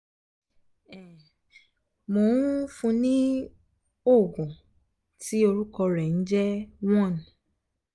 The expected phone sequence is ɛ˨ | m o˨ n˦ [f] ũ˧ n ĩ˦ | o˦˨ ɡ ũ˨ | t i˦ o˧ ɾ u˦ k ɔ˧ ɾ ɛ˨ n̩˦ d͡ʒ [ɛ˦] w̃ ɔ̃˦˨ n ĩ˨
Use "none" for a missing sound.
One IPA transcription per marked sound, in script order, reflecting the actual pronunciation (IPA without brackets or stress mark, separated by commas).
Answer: f, ɛ˦